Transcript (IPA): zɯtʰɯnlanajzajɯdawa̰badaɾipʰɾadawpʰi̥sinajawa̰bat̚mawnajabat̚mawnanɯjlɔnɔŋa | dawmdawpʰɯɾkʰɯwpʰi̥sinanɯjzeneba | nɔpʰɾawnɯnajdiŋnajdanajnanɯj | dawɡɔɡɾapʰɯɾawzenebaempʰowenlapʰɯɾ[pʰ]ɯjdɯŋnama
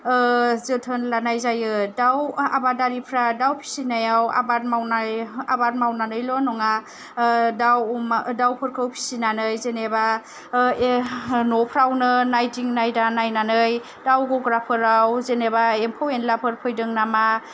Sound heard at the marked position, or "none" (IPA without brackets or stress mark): pʰ